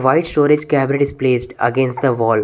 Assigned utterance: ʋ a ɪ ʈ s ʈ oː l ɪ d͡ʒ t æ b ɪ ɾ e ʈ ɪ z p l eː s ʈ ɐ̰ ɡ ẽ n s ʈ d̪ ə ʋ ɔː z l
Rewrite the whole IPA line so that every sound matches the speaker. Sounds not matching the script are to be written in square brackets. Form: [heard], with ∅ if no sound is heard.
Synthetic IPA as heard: ʋ a ɪ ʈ s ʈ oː [ɾ] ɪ d͡ʒ [k] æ b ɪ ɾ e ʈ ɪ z p l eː s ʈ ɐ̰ ɡ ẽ n s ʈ d̪ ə ʋ ɔː [∅] l